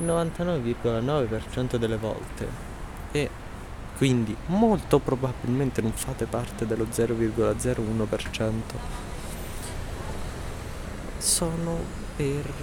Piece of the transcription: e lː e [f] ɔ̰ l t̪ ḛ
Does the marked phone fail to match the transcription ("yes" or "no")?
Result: yes